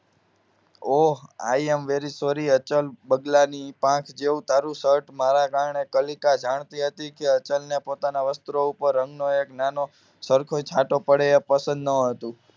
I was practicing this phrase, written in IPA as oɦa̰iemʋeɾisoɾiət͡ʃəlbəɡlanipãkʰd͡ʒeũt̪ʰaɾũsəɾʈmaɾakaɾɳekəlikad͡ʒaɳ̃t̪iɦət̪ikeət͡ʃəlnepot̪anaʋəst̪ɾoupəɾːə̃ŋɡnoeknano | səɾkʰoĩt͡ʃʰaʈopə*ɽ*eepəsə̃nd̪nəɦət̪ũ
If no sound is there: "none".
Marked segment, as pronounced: ɽ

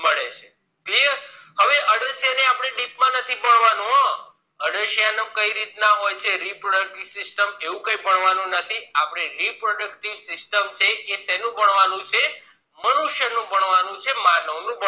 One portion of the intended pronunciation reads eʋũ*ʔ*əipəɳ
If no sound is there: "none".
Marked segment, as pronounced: k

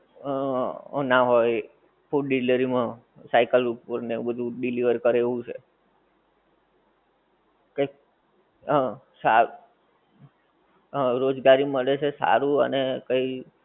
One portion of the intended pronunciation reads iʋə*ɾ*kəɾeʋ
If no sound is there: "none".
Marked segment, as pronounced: ɾ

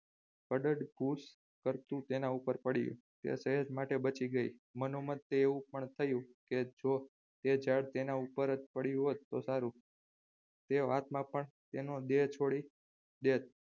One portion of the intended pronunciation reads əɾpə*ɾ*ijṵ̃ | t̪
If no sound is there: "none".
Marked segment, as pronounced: ɽ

